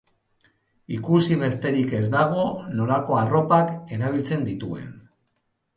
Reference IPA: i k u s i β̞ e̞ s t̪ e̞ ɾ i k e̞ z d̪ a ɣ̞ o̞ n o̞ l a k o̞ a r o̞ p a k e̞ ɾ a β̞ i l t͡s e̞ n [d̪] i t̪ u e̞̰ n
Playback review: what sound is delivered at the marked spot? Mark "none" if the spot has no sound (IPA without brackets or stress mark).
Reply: d̪